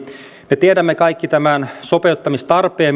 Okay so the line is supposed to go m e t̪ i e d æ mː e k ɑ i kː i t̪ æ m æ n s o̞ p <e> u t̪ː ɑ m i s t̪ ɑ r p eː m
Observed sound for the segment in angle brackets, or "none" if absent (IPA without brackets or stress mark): e